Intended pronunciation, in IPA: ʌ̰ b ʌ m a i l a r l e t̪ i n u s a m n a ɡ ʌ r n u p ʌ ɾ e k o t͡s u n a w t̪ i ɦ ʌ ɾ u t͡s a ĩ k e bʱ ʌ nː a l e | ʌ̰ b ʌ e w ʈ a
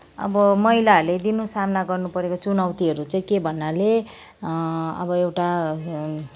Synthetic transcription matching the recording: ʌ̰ b ʌ m ʌ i l a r l e d̪ i n u s a m n a ɡ ʌ r n u p ʌ ɾ e k o t͡s u n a w t̪ i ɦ ʌ ɾ u t͡s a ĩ k e bʱ ʌ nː a l e | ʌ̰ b ʌ e w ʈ a